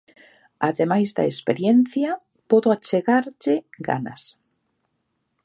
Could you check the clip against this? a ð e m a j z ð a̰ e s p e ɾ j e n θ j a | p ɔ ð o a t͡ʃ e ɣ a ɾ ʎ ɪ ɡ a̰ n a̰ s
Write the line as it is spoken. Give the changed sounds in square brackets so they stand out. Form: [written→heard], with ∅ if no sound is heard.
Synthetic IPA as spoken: a ð e m a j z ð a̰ e s p e ɾ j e n θ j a | p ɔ ð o a t͡ʃ e ɣ a ɾ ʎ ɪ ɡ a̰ n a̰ s